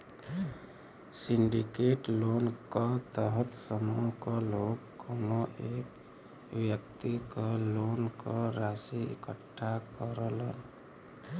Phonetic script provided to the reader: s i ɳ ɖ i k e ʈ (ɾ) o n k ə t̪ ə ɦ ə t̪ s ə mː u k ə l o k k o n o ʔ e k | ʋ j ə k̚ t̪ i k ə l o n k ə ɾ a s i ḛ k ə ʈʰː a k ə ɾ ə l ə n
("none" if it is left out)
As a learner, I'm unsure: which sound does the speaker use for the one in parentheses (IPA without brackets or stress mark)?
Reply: l